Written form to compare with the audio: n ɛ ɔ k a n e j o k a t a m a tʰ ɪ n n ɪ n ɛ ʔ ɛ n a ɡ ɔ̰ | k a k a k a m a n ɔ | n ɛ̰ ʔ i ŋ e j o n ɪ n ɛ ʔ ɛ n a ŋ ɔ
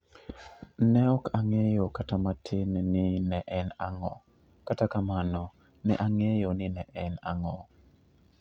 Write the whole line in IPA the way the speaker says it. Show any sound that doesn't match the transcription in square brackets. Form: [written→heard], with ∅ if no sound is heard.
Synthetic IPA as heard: n ɛ ɔ k a [n→ŋ] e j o k a t a m a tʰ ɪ n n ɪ n ɛ ʔ ɛ n a [ɡ→ŋ] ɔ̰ | k a [k→t] a k a m a n ɔ | n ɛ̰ ʔ [i→a] ŋ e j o n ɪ n ɛ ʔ ɛ n a ŋ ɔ